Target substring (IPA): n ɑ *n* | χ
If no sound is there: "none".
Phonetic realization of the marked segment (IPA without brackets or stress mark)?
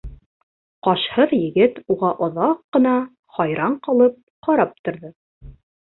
none